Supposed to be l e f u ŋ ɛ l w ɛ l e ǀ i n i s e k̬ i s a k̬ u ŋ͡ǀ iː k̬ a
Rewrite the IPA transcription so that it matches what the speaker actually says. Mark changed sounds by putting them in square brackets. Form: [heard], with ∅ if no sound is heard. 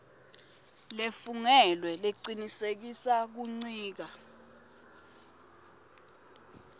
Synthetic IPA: l e f u ŋ ɛ l w ɛ l e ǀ i n i s e k̬ i s a k̬ u ŋ͡ǀ iː k̬ a